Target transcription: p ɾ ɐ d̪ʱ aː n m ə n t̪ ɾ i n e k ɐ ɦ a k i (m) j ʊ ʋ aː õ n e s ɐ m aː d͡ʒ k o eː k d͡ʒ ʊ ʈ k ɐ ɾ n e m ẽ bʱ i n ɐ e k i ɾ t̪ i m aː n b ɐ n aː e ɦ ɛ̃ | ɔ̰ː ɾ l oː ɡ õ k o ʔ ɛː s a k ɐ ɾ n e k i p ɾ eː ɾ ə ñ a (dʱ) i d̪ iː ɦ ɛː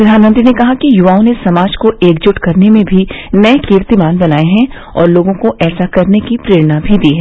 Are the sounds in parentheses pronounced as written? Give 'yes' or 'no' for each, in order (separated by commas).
no, no